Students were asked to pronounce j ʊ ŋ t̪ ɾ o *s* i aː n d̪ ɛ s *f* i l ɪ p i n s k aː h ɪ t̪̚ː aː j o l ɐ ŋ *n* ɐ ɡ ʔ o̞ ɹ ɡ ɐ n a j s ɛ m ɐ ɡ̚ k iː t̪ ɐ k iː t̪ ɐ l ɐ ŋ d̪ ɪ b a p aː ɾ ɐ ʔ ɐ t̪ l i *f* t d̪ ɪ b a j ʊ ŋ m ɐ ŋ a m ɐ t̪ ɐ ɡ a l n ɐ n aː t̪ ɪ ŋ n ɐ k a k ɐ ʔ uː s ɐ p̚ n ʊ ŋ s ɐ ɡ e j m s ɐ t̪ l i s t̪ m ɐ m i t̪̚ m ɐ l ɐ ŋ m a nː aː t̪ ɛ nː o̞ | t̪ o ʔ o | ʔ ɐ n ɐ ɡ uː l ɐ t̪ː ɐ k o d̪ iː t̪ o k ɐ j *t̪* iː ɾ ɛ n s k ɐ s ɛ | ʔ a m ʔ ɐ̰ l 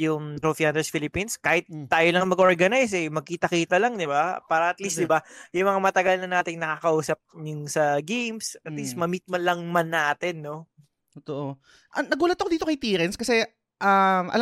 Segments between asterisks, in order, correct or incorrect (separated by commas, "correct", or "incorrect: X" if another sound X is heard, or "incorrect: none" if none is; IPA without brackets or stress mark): incorrect: f, correct, incorrect: m, incorrect: s, correct